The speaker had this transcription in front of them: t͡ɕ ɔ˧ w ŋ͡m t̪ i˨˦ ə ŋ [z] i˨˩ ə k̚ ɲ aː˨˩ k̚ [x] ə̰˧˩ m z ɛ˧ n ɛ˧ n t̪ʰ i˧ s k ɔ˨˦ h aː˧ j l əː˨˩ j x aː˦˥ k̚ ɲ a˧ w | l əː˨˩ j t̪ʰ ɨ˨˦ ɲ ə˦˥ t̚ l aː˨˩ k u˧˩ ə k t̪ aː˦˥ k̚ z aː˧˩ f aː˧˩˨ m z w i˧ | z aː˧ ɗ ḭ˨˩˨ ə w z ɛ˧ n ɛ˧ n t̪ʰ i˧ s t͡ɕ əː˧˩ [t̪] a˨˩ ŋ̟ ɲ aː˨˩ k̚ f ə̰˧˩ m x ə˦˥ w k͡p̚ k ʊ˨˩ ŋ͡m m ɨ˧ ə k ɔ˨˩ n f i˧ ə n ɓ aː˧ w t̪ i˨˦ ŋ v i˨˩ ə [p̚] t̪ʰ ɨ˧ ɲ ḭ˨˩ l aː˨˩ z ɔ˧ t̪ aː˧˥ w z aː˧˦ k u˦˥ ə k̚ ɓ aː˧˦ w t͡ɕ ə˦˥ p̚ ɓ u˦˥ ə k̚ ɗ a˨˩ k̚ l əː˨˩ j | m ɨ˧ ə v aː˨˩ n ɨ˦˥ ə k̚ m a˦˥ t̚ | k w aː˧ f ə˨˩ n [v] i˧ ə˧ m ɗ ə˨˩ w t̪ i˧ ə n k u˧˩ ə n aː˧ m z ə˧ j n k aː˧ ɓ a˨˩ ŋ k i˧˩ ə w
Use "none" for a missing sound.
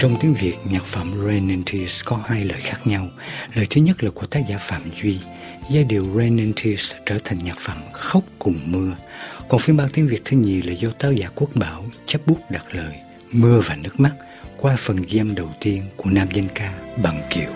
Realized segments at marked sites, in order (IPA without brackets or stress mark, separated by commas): v, f, t̪ʰ, k̚, ɣ